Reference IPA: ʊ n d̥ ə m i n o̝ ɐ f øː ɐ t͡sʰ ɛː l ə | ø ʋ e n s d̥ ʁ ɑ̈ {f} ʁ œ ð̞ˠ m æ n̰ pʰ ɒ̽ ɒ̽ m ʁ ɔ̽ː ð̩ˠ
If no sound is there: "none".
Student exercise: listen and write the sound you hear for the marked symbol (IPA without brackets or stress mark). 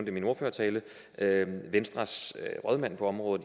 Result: s